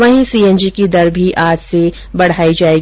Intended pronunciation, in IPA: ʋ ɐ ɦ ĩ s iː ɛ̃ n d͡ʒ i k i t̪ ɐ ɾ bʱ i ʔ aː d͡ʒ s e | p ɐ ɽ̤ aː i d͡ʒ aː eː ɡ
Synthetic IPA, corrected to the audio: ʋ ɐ ɦ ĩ s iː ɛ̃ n d͡ʒ i k i d̪ ɐ ɾ bʱ i ʔ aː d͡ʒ s e | b ɐ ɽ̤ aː i d͡ʒ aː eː ɡ